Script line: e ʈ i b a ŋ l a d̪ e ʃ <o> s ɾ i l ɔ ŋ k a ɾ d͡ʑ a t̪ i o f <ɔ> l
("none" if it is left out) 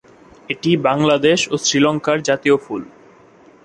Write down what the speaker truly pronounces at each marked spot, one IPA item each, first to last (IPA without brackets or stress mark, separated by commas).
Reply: o, u